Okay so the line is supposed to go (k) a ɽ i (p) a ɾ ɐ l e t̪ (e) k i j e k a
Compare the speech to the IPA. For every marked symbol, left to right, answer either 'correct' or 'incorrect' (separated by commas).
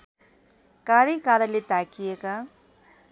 correct, incorrect, incorrect